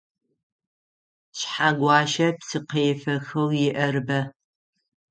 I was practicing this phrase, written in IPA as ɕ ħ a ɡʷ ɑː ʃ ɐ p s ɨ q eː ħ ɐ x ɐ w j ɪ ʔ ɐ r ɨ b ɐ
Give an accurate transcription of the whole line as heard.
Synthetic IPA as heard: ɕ ħ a ɡʷ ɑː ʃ ɐ p s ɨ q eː f ɐ x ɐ w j ɪ ʔ ɐ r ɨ b ɐ